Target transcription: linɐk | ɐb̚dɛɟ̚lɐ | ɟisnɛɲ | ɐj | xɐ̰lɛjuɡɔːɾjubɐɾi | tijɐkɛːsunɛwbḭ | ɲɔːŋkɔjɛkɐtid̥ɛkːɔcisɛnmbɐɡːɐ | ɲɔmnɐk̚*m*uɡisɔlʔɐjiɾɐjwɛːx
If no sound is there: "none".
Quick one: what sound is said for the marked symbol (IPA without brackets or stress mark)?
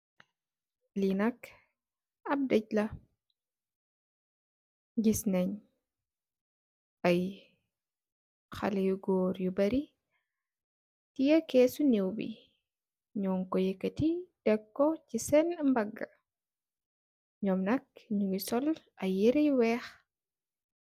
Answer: ɲ